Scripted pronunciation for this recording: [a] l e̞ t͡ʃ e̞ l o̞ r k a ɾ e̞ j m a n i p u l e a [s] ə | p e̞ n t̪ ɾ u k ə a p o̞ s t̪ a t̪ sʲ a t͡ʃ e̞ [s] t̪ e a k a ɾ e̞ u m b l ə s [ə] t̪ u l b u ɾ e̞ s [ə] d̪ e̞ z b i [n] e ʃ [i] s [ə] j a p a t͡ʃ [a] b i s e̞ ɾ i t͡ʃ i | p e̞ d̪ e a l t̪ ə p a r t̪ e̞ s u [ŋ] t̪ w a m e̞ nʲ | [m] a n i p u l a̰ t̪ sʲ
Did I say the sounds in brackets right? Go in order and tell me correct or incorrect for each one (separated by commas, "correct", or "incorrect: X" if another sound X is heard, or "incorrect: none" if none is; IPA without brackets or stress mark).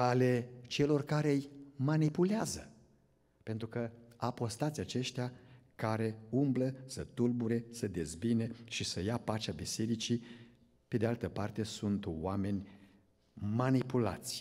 correct, incorrect: z, incorrect: ʃ, correct, correct, correct, correct, correct, correct, incorrect: n, correct